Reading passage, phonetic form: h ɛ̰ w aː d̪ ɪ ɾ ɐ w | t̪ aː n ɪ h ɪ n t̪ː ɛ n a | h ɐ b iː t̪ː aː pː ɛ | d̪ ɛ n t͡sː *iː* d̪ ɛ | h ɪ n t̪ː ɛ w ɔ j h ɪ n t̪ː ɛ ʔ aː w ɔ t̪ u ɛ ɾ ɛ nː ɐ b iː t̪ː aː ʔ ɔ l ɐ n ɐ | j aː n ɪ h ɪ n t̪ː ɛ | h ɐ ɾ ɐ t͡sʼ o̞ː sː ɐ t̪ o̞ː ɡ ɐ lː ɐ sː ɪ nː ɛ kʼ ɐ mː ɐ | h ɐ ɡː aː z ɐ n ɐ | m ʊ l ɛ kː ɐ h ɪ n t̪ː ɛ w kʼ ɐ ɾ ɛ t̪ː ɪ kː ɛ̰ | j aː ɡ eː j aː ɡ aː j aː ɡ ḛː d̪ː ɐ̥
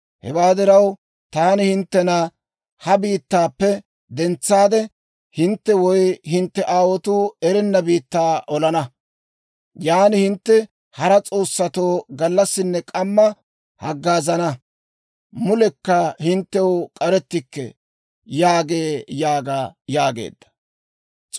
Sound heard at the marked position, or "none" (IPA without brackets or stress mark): aː